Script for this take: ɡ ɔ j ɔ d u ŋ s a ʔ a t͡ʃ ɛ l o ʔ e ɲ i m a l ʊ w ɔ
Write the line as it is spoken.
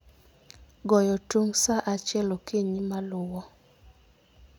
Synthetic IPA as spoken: ɡ ɔ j ɔ t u ŋ s a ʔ a t͡ʃ ɛ l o k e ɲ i m a l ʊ w ɔ